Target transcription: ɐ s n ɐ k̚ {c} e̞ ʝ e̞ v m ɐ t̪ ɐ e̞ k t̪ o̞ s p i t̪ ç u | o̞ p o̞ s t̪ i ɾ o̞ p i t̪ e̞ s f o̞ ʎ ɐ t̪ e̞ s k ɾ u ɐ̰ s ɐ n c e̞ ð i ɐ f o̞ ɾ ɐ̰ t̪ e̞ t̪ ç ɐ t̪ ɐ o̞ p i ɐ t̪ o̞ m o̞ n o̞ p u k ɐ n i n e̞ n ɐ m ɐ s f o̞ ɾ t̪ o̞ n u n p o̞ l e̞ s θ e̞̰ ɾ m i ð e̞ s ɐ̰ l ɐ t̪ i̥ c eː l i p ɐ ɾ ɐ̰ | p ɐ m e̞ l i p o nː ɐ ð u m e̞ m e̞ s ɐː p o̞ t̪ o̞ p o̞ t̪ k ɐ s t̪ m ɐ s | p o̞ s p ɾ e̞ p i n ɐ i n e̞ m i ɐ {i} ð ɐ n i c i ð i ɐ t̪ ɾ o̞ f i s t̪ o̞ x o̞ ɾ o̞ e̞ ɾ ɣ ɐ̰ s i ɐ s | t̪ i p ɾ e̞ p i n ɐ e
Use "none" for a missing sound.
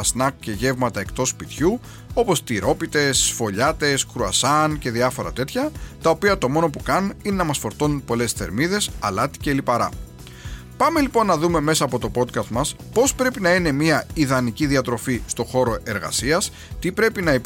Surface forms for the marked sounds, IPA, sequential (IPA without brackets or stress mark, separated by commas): c, i